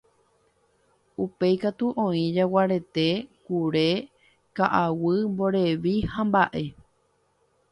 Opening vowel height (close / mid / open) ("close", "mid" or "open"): close